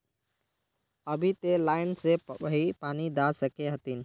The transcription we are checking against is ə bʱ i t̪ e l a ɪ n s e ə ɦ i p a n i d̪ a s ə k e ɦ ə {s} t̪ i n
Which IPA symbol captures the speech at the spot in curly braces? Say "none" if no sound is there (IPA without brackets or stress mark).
none